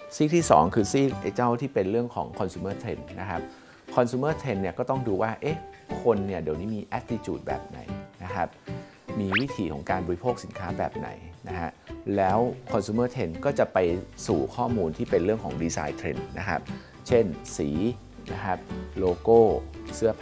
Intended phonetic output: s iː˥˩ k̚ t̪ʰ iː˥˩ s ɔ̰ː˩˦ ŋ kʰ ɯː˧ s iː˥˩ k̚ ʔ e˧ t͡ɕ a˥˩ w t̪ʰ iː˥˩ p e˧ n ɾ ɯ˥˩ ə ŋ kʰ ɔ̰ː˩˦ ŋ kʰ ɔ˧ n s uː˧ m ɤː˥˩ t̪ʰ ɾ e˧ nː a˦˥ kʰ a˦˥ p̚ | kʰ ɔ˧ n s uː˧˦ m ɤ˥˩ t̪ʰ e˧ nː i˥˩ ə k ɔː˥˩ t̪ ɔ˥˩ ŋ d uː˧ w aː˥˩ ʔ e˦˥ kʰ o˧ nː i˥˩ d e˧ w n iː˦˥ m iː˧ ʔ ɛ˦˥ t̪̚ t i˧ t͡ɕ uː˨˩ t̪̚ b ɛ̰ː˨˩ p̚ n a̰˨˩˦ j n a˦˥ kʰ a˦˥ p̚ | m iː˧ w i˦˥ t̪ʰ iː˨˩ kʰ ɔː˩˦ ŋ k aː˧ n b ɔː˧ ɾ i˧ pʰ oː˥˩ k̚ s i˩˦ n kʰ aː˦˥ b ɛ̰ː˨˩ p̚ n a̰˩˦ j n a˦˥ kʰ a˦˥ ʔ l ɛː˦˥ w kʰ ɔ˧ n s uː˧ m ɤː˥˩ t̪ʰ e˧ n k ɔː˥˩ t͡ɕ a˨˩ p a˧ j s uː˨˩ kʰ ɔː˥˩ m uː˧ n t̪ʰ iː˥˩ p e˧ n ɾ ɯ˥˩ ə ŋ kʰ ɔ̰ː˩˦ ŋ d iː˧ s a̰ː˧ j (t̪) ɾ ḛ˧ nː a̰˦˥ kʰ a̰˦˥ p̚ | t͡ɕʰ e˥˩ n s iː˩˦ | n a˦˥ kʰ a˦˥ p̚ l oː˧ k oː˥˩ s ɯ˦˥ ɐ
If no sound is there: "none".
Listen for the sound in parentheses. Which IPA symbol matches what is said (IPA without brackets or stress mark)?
t̪ʰ